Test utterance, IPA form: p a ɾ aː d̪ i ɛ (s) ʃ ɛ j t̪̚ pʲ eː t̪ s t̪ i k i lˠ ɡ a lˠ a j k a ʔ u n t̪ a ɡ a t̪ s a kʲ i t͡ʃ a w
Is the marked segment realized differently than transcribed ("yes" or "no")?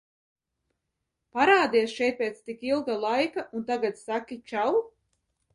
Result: no